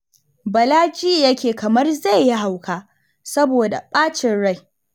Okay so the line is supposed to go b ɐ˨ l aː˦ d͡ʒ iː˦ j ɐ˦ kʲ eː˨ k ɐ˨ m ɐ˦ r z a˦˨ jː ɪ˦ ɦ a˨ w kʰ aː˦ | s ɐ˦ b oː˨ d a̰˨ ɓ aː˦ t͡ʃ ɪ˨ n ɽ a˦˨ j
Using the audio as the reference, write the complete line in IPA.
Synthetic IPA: b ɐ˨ l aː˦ d͡ʒ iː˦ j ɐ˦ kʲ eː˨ k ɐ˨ m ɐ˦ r z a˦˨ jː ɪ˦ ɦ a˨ w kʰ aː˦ | s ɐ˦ b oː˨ d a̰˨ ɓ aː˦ t͡ʃ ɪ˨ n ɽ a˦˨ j